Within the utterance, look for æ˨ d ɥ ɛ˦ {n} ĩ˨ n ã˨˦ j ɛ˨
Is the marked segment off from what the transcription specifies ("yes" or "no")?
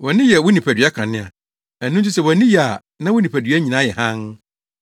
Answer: yes